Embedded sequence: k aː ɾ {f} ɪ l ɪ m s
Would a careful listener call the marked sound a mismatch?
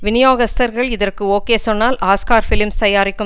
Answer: no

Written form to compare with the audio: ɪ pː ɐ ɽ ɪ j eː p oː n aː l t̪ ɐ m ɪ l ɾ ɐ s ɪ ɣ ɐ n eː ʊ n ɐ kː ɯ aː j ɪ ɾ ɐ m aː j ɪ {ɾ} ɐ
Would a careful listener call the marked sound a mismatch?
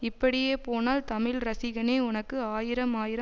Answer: no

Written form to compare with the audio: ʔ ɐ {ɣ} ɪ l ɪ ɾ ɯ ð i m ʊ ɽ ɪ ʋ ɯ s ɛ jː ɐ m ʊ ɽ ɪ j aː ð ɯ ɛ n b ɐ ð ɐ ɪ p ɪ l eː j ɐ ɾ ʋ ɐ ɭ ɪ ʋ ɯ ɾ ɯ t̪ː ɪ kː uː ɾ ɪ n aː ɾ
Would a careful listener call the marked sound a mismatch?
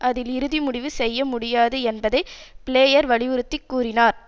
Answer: yes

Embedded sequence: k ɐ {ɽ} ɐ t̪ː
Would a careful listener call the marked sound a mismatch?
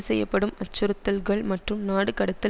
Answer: no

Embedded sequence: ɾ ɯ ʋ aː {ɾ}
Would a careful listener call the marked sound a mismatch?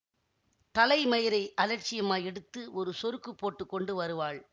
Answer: yes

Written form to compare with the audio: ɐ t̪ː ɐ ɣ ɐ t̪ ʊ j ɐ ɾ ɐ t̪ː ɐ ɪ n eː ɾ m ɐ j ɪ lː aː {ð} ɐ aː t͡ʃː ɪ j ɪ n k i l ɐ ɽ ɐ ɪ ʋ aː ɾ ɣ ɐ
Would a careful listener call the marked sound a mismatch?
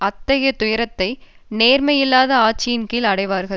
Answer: no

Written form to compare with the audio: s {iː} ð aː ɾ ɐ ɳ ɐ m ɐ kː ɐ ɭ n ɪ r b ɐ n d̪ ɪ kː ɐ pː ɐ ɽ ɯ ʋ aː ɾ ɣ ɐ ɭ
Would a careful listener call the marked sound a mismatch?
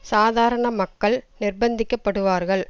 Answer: yes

